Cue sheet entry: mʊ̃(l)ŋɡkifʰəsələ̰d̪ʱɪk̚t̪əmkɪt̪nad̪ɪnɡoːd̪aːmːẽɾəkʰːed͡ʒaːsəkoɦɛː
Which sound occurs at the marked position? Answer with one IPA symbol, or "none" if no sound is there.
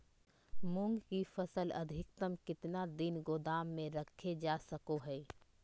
none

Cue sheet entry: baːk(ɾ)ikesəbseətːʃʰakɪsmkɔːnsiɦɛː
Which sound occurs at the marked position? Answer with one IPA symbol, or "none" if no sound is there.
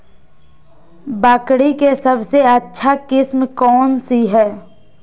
ɽ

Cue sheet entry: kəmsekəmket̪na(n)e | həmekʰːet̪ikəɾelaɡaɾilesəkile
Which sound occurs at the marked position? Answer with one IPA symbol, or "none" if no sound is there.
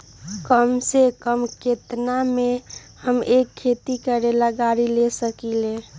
m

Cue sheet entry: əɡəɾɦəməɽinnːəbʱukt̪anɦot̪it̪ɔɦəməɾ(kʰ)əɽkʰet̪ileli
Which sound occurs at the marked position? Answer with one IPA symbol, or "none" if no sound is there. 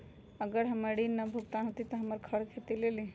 kʰ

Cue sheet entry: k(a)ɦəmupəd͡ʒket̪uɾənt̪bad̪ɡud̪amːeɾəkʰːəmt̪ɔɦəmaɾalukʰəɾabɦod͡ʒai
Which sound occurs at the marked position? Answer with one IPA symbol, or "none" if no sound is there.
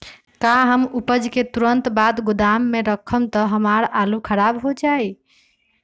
a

